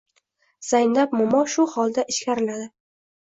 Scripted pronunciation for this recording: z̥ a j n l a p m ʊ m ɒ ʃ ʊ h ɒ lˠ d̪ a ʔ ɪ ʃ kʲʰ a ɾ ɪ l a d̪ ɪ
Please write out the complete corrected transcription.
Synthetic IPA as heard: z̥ a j n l a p m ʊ m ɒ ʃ ʊ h ɒ lˠ d̪ a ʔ ɪ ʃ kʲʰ a ɾ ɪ l a d̪ ɪ

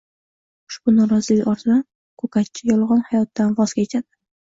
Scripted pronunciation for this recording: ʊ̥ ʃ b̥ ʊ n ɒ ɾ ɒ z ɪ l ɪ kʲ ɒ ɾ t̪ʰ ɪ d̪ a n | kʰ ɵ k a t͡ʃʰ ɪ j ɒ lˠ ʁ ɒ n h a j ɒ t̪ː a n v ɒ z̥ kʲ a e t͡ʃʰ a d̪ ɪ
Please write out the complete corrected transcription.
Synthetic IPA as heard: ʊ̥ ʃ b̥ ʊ n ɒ ɾ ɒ z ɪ l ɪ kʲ ɒ ɾ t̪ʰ ɪ d̪ a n | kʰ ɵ k a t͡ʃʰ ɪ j ɒ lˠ ʁ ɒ n h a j ɒ t̪ː a n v ɒ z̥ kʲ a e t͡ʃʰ a d̪ ɪ

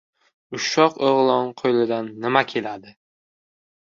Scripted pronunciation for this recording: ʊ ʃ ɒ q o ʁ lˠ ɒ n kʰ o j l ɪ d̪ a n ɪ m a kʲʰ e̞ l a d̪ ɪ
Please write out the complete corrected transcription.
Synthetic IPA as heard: ʊ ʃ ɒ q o ʁ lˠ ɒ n qʰ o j l ɪ d̪ a nː ɪ m a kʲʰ e̞ l a d̪ ɪ

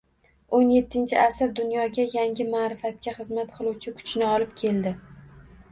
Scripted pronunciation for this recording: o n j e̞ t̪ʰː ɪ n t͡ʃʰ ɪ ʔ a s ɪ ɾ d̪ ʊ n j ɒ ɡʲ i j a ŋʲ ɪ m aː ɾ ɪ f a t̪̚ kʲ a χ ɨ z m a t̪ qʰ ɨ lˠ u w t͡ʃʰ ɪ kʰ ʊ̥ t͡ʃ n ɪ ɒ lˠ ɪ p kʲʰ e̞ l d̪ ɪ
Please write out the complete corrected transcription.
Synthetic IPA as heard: o n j e̞ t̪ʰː ɪ n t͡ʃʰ ɪ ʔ a s ɪ ɾ d̪ ʊ n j ɒ ɡʲ a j a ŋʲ ɪ m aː ɾ ɪ f a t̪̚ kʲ a χ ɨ z m a t̪ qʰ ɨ lˠ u w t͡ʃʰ ɪ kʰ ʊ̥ t͡ʃ n ɪ ɒ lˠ ɪ p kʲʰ e̞ l d̪ ɪ

